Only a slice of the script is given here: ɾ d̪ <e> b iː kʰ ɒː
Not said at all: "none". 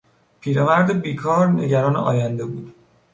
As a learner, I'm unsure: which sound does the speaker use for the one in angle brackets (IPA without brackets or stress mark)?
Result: e